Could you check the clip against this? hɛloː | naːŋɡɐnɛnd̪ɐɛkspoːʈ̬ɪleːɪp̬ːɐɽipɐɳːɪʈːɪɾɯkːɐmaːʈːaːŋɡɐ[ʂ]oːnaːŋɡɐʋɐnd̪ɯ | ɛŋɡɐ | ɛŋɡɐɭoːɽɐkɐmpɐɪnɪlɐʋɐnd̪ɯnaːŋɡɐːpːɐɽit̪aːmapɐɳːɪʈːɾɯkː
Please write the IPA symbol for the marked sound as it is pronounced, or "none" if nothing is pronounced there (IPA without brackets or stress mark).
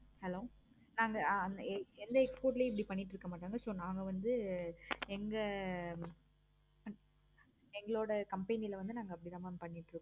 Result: s